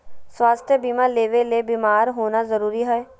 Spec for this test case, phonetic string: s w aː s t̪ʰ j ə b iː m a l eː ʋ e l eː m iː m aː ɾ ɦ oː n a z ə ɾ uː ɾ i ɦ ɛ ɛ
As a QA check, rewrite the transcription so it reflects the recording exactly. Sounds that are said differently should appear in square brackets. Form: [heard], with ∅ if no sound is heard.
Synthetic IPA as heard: s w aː s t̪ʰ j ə b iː m a l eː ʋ e l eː [b] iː m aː ɾ ɦ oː n a z ə ɾ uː ɾ i ɦ ɛ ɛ